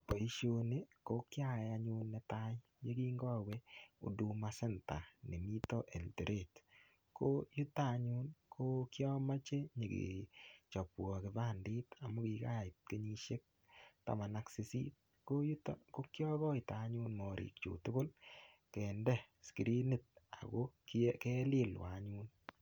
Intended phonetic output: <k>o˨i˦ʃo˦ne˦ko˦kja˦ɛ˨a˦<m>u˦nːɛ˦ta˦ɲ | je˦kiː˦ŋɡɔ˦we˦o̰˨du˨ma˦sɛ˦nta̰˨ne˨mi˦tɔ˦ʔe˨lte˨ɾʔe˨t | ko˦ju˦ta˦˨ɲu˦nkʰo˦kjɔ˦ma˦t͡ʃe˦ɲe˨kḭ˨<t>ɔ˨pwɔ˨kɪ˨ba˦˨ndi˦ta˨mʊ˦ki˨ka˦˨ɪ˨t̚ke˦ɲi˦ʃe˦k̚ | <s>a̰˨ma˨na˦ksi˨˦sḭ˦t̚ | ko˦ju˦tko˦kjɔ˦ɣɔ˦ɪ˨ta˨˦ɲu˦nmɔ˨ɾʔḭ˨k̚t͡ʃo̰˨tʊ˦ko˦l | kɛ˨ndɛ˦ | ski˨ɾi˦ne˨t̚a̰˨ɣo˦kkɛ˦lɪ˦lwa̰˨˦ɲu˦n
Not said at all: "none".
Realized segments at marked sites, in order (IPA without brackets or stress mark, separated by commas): p, ɲ, t͡ʃ, t